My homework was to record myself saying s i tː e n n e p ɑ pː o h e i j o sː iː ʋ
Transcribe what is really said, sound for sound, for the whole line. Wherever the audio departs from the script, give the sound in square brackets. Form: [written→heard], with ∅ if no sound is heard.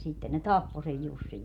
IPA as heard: s i tː e n n e [p→t] ɑ pː o [h→s] e [i→j] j [o→u] sː [iː→i] ʋ